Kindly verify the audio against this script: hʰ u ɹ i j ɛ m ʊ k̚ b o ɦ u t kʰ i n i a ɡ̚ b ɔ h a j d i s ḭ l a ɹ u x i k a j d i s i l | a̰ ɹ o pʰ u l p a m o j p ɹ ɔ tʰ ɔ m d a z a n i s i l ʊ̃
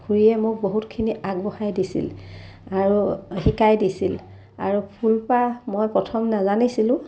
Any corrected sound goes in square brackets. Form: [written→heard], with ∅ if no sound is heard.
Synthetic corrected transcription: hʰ u ɹ i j ɛ m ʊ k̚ b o ɦ u t kʰ i n i a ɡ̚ b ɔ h a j d i s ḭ l a ɹ u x i k a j d i s i l | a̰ ɹ [o→u] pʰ u l p a m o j p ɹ ɔ tʰ ɔ m [d→n] a z a n i s i l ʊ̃